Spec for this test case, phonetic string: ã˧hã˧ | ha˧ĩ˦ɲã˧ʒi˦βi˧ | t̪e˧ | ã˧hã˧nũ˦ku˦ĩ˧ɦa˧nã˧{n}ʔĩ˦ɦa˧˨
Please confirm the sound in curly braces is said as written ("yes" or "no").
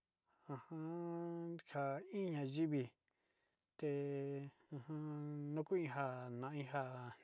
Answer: no